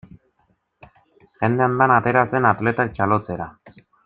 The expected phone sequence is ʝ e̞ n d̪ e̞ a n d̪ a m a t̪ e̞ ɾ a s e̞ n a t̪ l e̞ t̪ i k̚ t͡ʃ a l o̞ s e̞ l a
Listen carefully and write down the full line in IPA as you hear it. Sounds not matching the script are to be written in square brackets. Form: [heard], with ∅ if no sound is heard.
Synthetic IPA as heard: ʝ e̞ n d̪ e̞ a n d̪ a [n] a t̪ e̞ ɾ a s e̞ n a t̪ l e̞ t̪ [a] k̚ t͡ʃ a l o̞ [t͡s] e̞ [ɾ] a